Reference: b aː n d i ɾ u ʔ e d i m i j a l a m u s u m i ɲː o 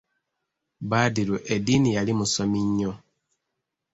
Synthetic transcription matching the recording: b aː d i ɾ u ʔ e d i n i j a l i m u s o m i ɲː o

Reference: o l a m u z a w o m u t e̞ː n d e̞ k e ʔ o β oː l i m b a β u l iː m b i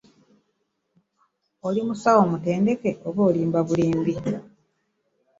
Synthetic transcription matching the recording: o l i m u s a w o m u t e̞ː n d e̞ k e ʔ o β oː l iː m b a β u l iː m b i

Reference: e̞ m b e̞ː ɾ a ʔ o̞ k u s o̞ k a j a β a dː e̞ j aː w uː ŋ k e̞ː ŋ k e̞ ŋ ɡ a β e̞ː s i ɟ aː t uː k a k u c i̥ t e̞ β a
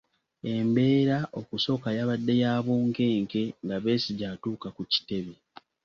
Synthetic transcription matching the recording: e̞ m b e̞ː ɾ a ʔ o̞ k u s o̞ k a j a β a dː e̞ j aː β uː ŋ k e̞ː ŋ k e̞ ŋ ɡ a β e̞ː s i ɟ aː t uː k a k u c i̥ t e̞ β e

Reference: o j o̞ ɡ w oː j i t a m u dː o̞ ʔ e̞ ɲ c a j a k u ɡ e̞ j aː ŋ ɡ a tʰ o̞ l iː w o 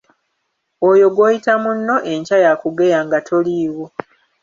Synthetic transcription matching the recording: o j o̞ ɡ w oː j i t a m u nː o̞ ʔ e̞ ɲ c a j a k u ɡ e̞ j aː ŋ ɡ a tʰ o̞ l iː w o

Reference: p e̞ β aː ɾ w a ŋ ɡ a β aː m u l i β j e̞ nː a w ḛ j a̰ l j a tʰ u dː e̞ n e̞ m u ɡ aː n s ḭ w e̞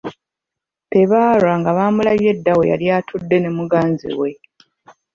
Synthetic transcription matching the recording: p e̞ β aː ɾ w a ŋ ɡ a β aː m u l a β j e̞ dː a w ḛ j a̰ l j a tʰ u dː e̞ n e̞ m u ɡ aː n z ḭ w e̞

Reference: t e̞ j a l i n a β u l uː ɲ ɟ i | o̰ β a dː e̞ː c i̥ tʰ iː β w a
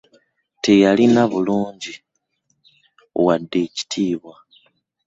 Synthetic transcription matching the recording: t e̞ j a l i n a β u l uː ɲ ɟ i | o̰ w a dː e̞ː c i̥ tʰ iː β w a

